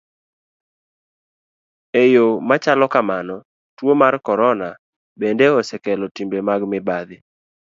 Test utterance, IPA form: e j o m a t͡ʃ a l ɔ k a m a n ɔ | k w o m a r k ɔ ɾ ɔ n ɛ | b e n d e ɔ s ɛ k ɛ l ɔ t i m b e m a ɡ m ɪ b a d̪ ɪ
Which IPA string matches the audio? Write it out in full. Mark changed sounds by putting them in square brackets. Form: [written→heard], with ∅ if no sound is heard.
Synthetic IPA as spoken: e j o m a t͡ʃ a l ɔ k a m a n ɔ | [k→t] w o m a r k ɔ ɾ ɔ n [ɛ→a] | b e n d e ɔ s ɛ k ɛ l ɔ t i m b e m a ɡ m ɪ b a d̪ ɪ